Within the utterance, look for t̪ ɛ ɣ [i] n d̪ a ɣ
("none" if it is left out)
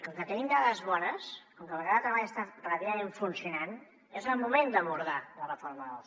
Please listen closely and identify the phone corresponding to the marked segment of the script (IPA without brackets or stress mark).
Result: i